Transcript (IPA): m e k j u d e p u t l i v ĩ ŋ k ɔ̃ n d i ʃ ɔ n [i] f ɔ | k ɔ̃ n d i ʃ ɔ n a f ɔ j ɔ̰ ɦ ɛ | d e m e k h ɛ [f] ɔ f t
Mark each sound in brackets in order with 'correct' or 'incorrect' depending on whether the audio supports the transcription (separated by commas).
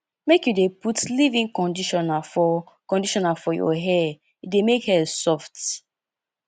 incorrect, incorrect